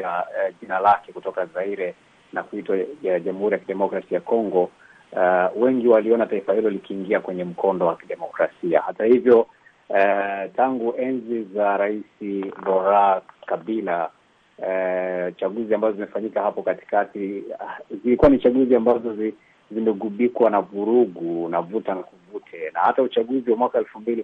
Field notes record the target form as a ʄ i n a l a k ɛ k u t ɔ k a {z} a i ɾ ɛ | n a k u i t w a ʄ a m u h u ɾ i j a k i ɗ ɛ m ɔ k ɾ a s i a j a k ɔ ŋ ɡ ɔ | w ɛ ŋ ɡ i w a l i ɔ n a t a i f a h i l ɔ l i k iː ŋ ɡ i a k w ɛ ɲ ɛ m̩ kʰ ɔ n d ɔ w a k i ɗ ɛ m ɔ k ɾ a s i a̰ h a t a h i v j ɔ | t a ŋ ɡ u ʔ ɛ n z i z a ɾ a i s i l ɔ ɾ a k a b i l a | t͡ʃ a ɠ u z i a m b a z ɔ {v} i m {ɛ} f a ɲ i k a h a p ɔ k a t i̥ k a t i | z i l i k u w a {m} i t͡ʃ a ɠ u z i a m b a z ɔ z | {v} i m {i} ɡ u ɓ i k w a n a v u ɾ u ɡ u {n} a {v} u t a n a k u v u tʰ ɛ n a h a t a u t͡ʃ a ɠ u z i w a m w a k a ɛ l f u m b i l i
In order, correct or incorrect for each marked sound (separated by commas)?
correct, incorrect, correct, incorrect, incorrect, incorrect, correct, correct